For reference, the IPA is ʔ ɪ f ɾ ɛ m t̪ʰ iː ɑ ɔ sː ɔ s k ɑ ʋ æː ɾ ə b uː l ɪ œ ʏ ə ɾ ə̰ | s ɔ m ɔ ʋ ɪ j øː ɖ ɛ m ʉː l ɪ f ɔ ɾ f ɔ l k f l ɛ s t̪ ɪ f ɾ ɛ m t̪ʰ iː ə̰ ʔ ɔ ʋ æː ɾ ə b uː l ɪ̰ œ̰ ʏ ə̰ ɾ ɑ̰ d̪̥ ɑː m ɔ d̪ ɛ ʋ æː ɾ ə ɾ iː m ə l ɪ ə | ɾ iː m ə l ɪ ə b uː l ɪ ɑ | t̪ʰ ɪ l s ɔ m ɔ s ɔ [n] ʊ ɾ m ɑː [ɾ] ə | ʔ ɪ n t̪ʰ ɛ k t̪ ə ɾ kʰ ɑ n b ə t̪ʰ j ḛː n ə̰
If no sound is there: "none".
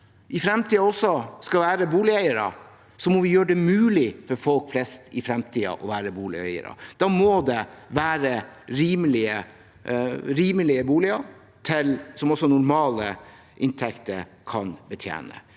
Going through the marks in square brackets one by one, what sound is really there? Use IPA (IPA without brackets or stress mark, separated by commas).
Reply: n, l